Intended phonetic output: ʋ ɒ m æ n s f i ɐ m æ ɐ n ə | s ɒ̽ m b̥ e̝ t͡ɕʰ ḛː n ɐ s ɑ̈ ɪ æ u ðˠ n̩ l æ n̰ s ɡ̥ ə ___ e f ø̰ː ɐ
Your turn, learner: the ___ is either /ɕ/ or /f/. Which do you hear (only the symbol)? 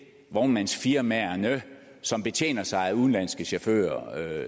ɕ